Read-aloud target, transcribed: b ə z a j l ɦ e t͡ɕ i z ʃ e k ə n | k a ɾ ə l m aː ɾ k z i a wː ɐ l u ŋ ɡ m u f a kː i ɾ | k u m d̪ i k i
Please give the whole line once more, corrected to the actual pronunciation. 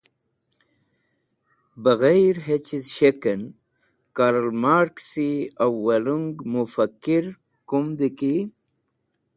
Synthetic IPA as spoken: b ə ɣ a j ɾ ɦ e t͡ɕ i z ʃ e k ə n | k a ɾ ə l m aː ɾ k s i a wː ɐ l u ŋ ɡ m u f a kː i ɾ | k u m d̪ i k i

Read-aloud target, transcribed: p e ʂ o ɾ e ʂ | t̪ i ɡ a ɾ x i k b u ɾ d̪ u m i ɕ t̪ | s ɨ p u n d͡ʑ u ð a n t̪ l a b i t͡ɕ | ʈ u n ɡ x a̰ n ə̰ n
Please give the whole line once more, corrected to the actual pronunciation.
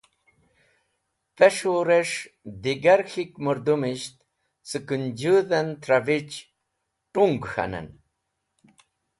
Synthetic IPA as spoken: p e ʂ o ɾ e ʂ | d̪ i ɡ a ɾ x i k m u ɾ d̪ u m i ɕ t̪ | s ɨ k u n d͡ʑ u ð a n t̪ ɾ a v i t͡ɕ | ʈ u ŋ ɡ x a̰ n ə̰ n

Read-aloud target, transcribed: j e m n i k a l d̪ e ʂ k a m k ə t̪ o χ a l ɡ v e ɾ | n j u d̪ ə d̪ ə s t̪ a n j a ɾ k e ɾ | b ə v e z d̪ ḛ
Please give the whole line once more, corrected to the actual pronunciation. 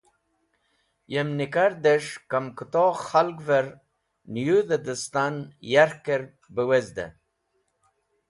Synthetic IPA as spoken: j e m n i k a ɾ d̪ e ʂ k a m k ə t̪ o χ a l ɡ v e ɾ | n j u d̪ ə d̪ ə s t̪ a n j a ɾ k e ɾ | b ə w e z d̪ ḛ

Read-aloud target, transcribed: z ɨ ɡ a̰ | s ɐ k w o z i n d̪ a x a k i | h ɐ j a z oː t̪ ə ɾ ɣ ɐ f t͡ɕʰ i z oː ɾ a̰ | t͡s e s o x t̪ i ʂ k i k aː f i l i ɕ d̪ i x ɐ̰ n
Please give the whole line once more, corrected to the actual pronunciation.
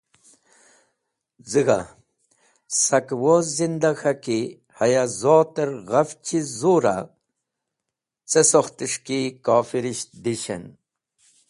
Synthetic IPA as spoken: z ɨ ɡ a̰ | s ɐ k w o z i n d̪ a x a k i | h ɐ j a z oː t̪ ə ɾ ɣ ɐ f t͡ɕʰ i z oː ɾ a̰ | t͡s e s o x t̪ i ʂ k i k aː f i ɾ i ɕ d̪ i ɕ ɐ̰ n

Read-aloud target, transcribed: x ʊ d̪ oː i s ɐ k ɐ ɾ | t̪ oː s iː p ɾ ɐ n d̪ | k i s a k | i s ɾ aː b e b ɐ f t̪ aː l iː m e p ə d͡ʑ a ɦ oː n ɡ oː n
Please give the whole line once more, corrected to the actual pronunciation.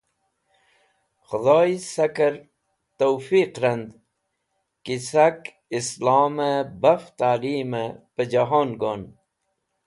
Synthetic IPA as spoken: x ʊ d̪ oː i s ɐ k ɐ ɾ | t̪ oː f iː q ɾ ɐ n d̪ | k i s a k | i s l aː m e b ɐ f t̪ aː l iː m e p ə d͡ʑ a ɦ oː n ɡ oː n

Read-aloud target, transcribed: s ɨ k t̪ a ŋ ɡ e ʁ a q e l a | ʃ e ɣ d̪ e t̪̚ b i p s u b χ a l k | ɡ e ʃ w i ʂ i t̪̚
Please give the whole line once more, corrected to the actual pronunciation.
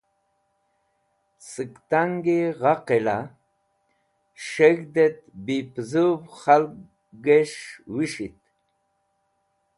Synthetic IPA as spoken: s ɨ k t̪ a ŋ ɡ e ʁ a q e l a | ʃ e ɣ d̪ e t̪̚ b i p z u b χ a l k | ɡ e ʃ w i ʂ i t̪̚

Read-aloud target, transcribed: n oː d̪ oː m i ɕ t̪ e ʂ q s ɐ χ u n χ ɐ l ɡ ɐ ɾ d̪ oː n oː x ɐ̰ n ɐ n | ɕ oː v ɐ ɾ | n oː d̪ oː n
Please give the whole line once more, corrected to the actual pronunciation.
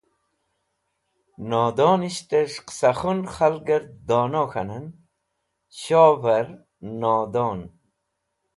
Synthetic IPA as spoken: n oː d̪ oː n i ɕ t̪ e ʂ q s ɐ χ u n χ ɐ l ɡ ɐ ɾ d̪ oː n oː x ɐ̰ n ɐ n | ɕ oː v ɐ ɾ | n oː d̪ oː n

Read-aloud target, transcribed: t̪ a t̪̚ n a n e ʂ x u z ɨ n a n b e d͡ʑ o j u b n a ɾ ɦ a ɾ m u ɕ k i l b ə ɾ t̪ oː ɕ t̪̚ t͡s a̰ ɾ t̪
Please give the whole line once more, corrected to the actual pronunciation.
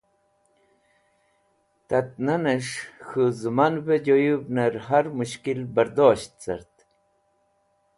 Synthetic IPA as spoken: t̪ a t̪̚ n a n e ʂ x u z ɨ m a n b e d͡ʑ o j u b n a ɾ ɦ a ɾ m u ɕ k i l b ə ɾ d̪ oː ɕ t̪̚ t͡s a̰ ɾ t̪

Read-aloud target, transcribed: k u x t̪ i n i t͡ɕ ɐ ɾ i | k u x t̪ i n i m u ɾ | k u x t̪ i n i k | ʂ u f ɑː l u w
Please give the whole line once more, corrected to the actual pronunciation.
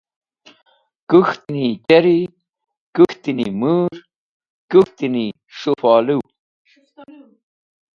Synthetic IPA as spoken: k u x t̪ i n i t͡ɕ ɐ ɾ i | k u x t̪ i n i m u ɾ | k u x t̪ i n i | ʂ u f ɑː l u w

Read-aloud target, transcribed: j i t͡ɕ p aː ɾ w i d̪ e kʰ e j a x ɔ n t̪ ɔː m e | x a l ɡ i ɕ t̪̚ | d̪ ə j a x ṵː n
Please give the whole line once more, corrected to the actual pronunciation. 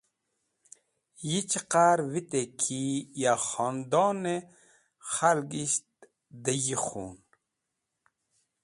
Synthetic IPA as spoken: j i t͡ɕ q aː ɾ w i t̪ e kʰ i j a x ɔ n d̪ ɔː n e | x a l ɡ i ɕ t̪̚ | d̪ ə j i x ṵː n

